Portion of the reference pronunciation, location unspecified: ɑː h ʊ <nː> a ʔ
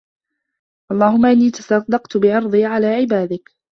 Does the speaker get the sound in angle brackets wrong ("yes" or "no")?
yes